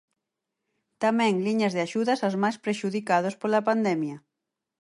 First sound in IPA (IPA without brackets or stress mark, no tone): t̪